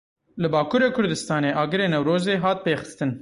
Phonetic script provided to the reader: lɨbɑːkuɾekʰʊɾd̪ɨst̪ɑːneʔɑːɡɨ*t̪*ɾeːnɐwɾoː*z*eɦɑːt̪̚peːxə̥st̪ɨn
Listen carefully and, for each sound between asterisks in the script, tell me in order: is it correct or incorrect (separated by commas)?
incorrect, correct